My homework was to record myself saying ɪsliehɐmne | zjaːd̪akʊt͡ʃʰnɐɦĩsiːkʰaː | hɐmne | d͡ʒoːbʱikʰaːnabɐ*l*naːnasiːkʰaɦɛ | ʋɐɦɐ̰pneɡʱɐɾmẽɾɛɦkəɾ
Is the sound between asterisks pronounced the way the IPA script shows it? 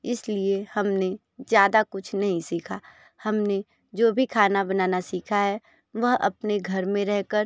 no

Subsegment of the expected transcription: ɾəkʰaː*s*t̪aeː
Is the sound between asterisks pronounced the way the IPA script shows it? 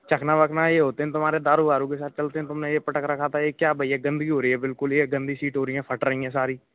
no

